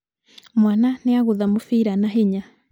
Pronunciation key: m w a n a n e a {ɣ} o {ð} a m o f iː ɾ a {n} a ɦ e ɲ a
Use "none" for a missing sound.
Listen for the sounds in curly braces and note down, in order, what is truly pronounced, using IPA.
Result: ɣ, ð, n

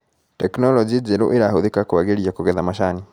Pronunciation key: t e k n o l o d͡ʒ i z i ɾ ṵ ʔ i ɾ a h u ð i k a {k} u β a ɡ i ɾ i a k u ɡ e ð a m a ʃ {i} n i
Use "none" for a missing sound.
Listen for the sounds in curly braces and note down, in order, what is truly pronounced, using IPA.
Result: k, a

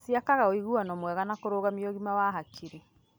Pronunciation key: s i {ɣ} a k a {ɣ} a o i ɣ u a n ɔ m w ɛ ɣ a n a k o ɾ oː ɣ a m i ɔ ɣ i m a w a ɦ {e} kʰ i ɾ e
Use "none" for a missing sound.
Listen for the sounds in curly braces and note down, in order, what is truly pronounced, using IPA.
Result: none, ɣ, a

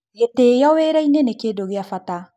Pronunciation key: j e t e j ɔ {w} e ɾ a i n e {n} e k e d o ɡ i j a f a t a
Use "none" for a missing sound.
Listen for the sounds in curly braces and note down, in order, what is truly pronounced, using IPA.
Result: w, n

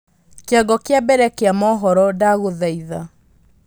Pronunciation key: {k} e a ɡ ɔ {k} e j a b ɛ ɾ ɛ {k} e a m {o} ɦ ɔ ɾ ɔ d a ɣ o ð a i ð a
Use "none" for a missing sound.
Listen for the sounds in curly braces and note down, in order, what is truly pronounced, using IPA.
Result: k, k, k, ɔ

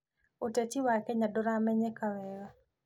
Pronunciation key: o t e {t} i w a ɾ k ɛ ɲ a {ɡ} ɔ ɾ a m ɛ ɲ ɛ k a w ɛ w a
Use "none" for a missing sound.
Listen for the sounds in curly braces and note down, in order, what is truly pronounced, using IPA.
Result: t͡ʃ, d

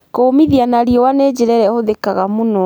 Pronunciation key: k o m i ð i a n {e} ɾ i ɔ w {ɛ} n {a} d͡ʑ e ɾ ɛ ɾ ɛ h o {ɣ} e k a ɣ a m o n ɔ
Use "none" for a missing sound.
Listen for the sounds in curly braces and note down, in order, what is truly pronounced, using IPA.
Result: a, a, e, ð

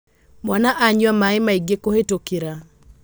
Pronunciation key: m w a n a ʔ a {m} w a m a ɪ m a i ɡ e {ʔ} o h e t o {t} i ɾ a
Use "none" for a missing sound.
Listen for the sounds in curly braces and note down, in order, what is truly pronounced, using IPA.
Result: ɲ, k, k

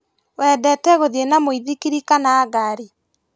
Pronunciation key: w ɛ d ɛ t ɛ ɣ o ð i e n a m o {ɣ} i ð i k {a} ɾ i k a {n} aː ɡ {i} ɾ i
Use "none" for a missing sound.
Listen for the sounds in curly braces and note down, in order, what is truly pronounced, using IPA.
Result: none, i, n, a

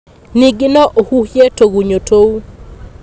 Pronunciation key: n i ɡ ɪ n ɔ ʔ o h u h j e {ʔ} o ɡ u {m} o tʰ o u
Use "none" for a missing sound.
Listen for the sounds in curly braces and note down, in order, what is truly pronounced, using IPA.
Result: t, ɲ

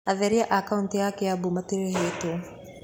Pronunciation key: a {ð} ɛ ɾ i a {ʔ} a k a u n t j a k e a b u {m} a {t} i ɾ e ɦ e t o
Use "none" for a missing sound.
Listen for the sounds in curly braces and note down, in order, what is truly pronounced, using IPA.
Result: ð, ʔ, m, t

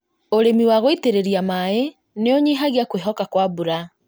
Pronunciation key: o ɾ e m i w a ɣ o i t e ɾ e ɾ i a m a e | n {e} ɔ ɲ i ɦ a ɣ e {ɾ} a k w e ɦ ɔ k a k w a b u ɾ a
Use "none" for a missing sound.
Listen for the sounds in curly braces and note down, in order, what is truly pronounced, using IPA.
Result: e, none

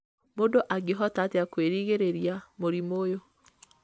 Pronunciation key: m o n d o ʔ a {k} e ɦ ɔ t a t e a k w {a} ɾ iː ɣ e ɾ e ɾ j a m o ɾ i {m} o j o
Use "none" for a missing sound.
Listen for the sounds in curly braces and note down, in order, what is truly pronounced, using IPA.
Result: ɡ, e, m

